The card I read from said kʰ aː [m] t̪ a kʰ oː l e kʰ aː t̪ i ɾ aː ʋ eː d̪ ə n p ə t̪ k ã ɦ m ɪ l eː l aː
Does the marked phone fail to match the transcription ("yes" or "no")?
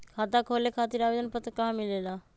yes